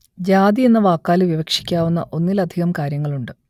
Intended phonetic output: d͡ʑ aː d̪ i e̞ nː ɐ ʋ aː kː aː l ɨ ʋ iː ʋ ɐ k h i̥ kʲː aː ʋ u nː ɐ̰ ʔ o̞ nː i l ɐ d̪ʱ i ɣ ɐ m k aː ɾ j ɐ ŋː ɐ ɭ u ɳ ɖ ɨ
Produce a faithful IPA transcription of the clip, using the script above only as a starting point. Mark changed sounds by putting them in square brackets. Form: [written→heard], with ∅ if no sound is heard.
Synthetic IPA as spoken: d͡ʑ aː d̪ i e̞ nː ɐ ʋ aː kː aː l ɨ ʋ [iː→i] ʋ ɐ k [h→ʂ] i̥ kʲː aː ʋ u nː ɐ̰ ʔ o̞ nː i l ɐ d̪ʱ i ɣ ɐ m k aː ɾ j ɐ ŋː ɐ ɭ u ɳ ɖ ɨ